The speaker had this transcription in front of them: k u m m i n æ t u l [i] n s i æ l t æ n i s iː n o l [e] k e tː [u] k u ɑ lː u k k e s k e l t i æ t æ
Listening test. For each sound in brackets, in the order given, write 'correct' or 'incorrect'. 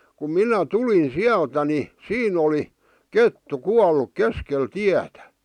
correct, incorrect, correct

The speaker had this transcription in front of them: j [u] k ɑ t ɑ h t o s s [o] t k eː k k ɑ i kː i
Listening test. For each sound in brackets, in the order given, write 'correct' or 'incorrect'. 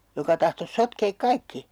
incorrect, correct

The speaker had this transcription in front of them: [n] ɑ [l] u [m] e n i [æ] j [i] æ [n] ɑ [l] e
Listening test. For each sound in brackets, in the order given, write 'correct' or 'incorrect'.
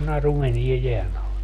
correct, incorrect, correct, incorrect, incorrect, correct, correct

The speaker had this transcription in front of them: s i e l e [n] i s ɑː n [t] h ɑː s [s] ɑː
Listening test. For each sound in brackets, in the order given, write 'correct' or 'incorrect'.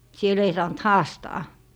incorrect, correct, incorrect

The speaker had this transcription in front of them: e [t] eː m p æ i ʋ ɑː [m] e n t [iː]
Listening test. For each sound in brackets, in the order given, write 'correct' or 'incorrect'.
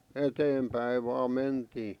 correct, correct, correct

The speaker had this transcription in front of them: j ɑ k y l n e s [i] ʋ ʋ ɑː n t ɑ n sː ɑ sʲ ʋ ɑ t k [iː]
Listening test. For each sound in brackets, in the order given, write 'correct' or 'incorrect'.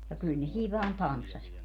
incorrect, incorrect

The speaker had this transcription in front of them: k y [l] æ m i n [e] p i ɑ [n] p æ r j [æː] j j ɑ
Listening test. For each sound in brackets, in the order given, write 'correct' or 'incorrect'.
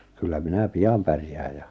incorrect, incorrect, incorrect, correct

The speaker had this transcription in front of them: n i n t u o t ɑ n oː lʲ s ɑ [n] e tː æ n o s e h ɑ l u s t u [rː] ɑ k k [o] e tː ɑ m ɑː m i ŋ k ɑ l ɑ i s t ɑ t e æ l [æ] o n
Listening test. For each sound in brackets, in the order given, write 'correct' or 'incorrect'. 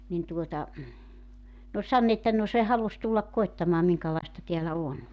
incorrect, incorrect, correct, correct

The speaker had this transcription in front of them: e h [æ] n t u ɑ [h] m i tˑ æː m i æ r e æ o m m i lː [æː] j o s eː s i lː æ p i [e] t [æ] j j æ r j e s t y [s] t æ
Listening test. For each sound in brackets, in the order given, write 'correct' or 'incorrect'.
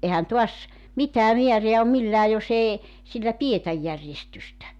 correct, incorrect, correct, correct, correct, correct

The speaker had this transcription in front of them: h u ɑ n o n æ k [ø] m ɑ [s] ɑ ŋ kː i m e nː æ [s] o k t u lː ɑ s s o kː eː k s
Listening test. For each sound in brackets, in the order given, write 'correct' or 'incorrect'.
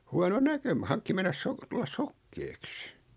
correct, incorrect, correct

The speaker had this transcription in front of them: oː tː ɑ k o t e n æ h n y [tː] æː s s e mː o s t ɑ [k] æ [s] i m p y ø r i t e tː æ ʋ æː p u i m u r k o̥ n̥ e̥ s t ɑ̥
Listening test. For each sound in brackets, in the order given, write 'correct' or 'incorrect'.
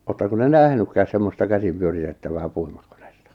incorrect, correct, correct

